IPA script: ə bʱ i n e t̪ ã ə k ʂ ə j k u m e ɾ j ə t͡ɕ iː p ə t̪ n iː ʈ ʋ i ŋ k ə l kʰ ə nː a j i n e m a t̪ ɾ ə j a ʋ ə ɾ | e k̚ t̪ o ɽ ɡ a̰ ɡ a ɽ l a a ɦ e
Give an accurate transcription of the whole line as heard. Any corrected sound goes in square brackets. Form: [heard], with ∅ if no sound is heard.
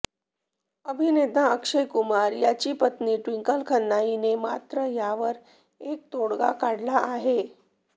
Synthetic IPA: ə bʱ i n e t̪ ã ə k ʂ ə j k u m [a] ɾ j [a] t͡ɕ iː p ə t̪ n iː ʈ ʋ i ŋ k ə l kʰ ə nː a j i n e m a t̪ ɾ ə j a ʋ ə ɾ | e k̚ t̪ o ɽ ɡ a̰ [k] a ɽ l a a ɦ e